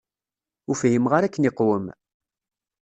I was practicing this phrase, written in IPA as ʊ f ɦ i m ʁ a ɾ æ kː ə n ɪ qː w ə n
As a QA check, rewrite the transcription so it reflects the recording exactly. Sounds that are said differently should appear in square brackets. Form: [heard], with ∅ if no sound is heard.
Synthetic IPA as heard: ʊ f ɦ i m ʁ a ɾ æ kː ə n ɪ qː w ə [m]